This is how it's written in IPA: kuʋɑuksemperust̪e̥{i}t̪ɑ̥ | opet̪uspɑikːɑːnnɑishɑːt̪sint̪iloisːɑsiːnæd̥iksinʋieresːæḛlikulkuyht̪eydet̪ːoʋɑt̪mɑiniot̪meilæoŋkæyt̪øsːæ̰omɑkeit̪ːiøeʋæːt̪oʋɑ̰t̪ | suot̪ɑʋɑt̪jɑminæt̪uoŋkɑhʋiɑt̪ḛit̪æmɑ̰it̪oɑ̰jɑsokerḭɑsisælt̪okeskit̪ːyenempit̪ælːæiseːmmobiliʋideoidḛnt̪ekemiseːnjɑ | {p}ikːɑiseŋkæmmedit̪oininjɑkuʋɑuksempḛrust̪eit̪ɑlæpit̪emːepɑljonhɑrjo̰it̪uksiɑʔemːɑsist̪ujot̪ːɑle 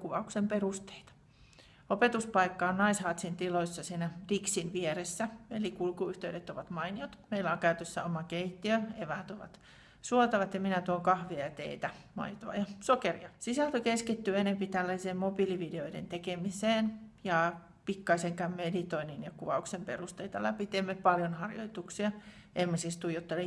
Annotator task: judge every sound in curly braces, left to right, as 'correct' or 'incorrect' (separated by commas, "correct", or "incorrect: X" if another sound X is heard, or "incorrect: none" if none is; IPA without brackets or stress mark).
correct, correct